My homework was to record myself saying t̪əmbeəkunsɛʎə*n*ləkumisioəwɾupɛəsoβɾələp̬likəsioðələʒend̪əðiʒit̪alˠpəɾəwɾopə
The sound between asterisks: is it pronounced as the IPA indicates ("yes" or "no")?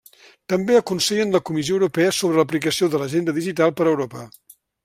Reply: yes